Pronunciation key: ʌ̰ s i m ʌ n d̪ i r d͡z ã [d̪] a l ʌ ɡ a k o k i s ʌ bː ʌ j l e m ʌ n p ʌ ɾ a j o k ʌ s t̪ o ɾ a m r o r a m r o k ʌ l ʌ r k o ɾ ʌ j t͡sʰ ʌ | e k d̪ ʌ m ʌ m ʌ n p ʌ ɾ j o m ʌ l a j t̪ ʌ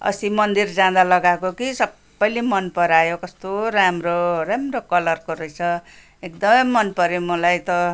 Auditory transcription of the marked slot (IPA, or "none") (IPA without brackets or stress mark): d̪